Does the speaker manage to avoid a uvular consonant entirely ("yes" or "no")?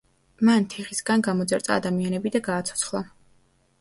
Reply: no